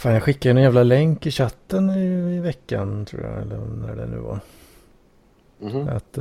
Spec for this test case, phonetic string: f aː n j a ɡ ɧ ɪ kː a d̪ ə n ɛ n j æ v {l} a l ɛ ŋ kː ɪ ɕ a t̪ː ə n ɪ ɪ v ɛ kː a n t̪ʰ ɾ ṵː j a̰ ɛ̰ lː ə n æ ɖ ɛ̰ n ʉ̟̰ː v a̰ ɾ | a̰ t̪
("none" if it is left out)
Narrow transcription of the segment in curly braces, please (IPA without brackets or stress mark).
l